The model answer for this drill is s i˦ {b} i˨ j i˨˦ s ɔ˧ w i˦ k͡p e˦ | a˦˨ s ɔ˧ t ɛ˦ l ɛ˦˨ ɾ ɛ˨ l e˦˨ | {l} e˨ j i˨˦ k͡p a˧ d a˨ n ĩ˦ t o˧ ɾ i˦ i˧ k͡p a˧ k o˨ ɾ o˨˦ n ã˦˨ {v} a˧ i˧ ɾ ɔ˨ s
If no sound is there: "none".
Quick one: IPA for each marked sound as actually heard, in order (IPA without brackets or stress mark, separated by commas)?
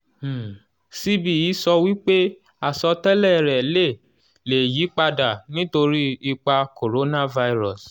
b, l, v